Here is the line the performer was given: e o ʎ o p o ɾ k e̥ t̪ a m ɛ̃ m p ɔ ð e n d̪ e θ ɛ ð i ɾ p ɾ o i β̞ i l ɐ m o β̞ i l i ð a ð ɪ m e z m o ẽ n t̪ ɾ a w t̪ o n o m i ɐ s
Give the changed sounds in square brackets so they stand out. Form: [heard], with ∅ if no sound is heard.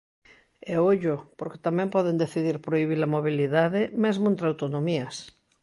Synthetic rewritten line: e o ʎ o p o ɾ k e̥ t̪ a m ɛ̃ m p ɔ ð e n d̪ e θ [i] ð i ɾ p ɾ o i β̞ i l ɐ m o β̞ i l i ð a ð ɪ m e z m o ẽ n t̪ ɾ a w t̪ o n o m i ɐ s